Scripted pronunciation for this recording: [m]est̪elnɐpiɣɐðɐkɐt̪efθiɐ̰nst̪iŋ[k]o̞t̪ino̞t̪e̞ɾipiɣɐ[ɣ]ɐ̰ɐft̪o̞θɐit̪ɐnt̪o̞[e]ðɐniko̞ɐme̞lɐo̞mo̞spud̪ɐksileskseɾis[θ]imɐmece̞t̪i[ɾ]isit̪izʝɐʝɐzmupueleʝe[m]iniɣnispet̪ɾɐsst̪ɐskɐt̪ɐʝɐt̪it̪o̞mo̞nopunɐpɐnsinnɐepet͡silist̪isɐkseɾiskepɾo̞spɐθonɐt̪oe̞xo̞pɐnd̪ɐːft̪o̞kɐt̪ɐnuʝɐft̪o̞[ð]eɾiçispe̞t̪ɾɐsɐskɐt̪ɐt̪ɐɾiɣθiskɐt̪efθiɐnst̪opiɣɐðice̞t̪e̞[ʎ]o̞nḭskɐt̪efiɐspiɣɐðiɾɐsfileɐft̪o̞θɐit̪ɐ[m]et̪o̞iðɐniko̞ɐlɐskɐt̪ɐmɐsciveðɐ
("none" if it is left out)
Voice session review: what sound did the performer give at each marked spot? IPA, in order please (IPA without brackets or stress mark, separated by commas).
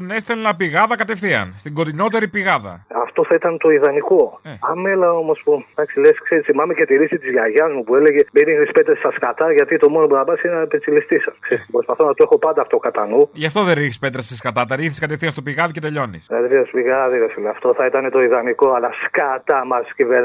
n, ɡ, ð, i, θ, ɾ, m, ð, ʎ, n